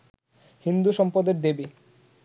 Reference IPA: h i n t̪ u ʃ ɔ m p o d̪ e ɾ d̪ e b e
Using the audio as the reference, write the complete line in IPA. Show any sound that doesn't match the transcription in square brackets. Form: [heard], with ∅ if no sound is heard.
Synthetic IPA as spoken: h i n [d̪] u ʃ ɔ m p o d̪ e ɾ d̪ e b e